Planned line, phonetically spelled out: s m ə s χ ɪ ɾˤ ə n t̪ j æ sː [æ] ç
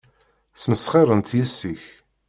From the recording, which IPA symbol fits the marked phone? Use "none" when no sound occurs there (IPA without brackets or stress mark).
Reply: i